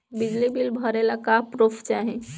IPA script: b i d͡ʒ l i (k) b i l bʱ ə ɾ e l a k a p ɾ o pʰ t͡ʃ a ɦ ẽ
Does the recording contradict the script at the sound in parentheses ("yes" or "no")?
yes